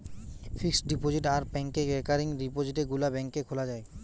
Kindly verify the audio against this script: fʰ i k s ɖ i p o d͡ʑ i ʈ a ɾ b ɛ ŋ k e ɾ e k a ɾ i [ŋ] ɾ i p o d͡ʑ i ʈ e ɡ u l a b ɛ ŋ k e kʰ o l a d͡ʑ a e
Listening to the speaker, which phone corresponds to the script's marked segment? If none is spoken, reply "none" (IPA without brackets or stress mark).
ŋ